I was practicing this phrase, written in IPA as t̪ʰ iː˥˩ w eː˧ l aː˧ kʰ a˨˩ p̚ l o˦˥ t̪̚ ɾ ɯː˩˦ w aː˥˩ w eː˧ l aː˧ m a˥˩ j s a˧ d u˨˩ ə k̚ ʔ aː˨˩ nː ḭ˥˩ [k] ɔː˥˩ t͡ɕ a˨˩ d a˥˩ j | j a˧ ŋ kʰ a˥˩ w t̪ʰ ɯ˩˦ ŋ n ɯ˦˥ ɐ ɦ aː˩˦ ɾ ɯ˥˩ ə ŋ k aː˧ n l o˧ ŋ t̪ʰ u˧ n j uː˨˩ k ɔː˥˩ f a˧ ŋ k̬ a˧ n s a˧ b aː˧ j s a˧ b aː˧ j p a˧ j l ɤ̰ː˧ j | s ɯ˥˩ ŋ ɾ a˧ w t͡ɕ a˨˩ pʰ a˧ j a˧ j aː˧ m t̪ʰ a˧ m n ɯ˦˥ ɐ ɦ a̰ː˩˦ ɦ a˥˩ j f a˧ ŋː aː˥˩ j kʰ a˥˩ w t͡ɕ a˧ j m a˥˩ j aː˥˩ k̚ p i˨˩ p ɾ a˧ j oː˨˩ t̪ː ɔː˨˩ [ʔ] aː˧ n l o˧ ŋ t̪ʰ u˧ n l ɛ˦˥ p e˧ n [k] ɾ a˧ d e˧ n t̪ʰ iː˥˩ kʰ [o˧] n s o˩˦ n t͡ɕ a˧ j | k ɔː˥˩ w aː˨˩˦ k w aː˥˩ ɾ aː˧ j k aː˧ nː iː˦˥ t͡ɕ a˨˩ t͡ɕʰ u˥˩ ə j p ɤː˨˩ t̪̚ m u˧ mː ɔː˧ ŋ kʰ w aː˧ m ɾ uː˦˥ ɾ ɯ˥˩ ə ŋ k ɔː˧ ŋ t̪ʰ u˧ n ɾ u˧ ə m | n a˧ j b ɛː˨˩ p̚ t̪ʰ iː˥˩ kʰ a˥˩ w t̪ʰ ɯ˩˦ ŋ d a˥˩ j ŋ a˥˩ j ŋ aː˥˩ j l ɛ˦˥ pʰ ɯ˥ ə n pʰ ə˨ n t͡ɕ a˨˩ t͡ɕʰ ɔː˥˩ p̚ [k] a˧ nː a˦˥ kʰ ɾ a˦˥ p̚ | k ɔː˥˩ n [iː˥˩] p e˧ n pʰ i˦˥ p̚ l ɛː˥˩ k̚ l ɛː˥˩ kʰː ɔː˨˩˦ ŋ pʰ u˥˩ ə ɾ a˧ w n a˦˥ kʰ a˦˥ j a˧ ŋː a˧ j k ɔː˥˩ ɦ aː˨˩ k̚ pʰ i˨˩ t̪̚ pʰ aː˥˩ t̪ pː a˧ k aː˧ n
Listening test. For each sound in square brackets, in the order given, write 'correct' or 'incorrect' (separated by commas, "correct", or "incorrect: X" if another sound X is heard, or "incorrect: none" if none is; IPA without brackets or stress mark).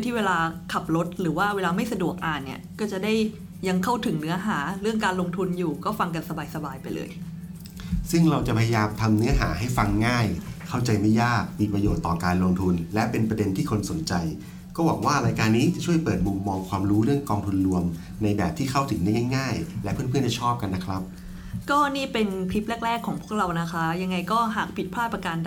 correct, incorrect: k, incorrect: p, correct, correct, correct